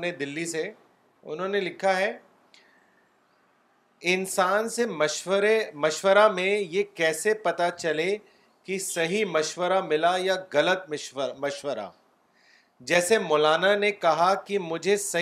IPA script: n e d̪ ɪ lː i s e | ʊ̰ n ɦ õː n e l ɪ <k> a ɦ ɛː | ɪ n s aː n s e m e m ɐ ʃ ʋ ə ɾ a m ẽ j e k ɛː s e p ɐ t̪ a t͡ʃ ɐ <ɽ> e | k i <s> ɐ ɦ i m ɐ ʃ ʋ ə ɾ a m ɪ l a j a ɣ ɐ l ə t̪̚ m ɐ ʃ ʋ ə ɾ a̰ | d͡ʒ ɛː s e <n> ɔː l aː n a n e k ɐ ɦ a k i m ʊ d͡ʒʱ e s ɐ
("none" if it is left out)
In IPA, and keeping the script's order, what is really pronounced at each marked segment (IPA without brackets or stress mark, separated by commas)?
kʰ, l, s, m